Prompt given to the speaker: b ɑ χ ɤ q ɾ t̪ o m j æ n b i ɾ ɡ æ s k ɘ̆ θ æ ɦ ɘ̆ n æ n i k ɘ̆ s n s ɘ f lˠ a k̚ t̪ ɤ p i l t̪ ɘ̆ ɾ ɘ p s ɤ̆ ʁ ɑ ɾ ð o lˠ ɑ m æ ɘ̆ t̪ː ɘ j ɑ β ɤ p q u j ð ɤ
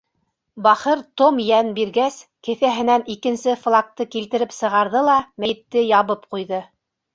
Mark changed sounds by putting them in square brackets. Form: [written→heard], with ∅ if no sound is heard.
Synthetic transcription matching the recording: b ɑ χ ɤ [q→∅] ɾ t̪ o m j æ n b i ɾ ɡ æ s k ɘ̆ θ æ ɦ ɘ̆ n æ n i k ɘ̆ [s→∅] n s ɘ f lˠ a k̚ t̪ ɤ [p→k] i l t̪ ɘ̆ ɾ ɘ p s ɤ̆ ʁ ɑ ɾ ð [o→ɤ] lˠ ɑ m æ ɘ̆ t̪ː ɘ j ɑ β ɤ p q u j ð ɤ

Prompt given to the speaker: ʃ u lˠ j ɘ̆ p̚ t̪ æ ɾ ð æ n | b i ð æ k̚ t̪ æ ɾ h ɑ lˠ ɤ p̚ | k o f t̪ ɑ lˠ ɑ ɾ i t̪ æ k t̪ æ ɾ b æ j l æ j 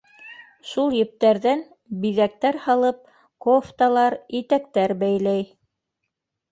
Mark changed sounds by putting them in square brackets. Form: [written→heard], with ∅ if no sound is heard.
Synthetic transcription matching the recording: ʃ u lˠ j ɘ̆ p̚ t̪ æ ɾ ð æ n | b i ð æ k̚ t̪ æ ɾ h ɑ lˠ ɤ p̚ | k o f t̪ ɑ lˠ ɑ ɾ i t̪ æ k t̪ æ ɾ b æ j l æ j

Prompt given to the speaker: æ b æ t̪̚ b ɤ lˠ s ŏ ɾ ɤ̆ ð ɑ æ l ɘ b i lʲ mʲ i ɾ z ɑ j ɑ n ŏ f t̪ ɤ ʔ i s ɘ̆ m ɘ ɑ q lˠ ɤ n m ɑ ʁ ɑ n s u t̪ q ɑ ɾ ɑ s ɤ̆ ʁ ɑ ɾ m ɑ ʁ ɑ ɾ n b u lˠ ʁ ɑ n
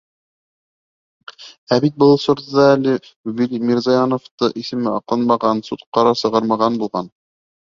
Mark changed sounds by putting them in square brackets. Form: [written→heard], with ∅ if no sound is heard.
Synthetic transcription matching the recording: æ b [æ→i] t̪̚ b ɤ lˠ s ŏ ɾ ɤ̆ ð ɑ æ l ɘ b i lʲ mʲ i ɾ z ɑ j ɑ n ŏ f t̪ ɤ ʔ i s ɘ̆ m ɘ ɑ q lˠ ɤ n m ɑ ʁ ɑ n s u t̪ q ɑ ɾ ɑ s ɤ̆ ʁ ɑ ɾ m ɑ ʁ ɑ [ɾ→∅] n b u lˠ ʁ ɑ n

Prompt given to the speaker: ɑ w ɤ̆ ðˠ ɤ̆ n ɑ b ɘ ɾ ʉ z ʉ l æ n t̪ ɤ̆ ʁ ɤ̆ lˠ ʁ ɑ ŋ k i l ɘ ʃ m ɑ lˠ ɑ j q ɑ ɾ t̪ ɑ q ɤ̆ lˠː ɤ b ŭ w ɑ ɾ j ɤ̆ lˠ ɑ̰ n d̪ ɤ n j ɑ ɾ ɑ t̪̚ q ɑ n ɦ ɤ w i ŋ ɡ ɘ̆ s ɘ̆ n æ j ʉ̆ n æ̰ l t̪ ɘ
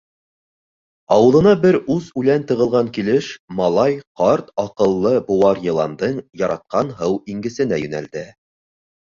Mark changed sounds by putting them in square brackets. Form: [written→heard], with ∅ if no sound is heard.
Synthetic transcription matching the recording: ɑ w ɤ̆ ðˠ ɤ̆ n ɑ b ɘ ɾ ʉ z ʉ l æ n t̪ ɤ̆ ʁ ɤ̆ lˠ ʁ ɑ ŋ k i l ɘ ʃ m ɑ lˠ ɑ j q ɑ ɾ t̪ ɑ q ɤ̆ lˠː ɤ b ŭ w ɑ ɾ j ɤ̆ lˠ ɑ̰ n d̪ ɤ [n→ɴ] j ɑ ɾ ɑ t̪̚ q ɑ n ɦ ɤ w i ŋ ɡ ɘ̆ s ɘ̆ n æ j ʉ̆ n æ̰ l [t̪→d̪] ɘ

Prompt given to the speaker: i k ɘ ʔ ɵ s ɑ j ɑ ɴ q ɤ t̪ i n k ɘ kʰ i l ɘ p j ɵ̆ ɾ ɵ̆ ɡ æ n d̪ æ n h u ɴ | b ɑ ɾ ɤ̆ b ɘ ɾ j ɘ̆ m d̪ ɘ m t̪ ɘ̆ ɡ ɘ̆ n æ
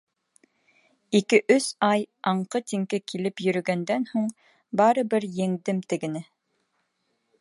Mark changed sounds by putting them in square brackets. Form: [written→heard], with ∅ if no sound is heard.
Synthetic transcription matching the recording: i k ɘ ʔ ɵ s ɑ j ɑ ɴ q ɤ t̪ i [n→ŋ] k ɘ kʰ i l ɘ p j ɵ̆ ɾ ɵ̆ ɡ æ n d̪ æ n h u ɴ | b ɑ ɾ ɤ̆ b ɘ ɾ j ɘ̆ [m→ŋ] d̪ ɘ m t̪ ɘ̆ ɡ ɘ̆ n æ

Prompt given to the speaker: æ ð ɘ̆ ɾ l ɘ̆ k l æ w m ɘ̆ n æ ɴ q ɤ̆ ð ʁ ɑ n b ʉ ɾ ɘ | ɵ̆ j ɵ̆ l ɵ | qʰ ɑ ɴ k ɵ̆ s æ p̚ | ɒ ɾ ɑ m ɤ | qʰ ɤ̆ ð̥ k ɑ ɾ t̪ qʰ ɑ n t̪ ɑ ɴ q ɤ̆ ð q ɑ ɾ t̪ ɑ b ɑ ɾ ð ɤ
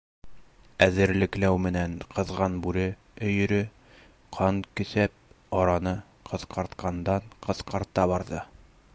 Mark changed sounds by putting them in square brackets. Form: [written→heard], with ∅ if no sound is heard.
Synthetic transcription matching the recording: æ ð ɘ̆ ɾ l ɘ̆ k l æ w m ɘ̆ n æ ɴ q ɤ̆ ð ʁ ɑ n b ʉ ɾ ɘ | ɵ̆ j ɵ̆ [l→ɾ] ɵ | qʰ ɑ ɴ k ɵ̆ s æ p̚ | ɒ ɾ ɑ [m→n] ɤ | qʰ ɤ̆ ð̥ [k→q] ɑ ɾ t̪ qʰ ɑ n [t̪→d̪] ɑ ɴ q ɤ̆ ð q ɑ ɾ t̪ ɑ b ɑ ɾ ð ɤ

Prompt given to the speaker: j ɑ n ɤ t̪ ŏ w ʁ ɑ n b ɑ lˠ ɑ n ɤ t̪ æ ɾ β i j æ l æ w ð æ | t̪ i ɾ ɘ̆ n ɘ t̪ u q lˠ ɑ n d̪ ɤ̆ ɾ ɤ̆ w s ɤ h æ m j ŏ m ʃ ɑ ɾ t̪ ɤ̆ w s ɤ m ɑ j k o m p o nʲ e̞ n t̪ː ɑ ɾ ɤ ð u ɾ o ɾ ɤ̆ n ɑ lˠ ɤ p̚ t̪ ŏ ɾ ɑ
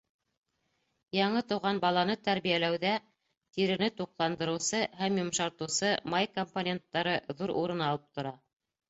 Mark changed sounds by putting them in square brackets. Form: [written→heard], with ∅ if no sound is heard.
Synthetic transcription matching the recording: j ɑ [n→ɴ] ɤ t̪ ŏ w ʁ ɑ n b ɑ lˠ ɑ n ɤ t̪ æ ɾ β i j æ l æ w ð æ | t̪ i ɾ ɘ̆ n ɘ t̪ u q lˠ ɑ n d̪ ɤ̆ ɾ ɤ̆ w s ɤ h æ m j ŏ m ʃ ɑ ɾ t̪ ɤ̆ w s ɤ m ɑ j k o m p o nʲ e̞ n t̪ː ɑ ɾ ɤ ð u ɾ [o→u] ɾ ɤ̆ n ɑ lˠ ɤ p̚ t̪ ŏ ɾ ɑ

